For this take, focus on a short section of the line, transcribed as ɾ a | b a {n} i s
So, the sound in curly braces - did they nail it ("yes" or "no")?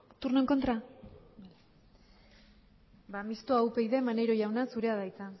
no